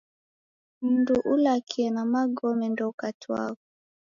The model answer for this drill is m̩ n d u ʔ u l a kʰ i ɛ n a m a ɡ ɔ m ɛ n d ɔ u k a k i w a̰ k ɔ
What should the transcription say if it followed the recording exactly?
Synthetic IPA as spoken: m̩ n d u ʔ u l a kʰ i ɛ n a m a ɡ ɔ m ɛ n d ɔ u k a t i w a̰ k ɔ